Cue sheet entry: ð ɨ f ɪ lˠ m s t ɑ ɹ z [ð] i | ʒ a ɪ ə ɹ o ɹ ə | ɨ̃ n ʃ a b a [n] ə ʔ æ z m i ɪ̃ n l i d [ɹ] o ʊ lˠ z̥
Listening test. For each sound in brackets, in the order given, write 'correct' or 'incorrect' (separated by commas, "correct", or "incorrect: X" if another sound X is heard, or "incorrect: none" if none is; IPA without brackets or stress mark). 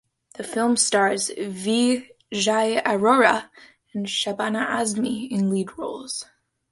incorrect: v, correct, correct